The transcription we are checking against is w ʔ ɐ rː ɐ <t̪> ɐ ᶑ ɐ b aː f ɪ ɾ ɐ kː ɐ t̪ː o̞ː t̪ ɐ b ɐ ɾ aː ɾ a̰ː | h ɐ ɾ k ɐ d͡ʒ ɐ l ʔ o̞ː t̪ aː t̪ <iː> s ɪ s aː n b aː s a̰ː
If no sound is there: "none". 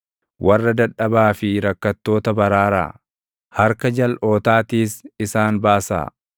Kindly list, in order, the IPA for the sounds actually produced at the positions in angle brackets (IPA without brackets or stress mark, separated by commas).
d̪, iː